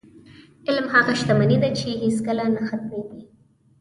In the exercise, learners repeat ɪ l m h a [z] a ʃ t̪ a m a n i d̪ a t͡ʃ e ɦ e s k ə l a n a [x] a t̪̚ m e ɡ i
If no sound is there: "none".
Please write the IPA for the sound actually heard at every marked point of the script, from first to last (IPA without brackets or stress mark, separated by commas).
ɣ, x